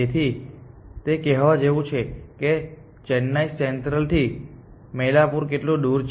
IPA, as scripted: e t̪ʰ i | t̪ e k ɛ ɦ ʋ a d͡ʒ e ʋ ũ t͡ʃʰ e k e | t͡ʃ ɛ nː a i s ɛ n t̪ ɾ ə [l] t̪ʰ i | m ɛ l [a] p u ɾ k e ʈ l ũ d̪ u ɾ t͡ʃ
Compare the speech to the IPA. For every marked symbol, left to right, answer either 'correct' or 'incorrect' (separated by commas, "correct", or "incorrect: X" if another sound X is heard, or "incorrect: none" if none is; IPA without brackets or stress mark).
correct, correct